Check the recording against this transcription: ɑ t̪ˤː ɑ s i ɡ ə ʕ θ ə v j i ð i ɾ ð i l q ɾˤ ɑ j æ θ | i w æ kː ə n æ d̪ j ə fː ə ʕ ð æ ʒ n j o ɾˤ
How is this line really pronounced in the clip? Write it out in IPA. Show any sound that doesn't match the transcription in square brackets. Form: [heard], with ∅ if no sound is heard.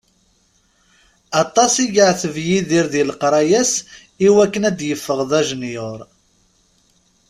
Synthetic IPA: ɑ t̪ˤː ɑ s i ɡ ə ʕ θ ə v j i ð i ɾ ð i l q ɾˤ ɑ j æ [s] | i w æ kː ə n æ d̪ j ə fː ə [ʁ] ð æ ʒ n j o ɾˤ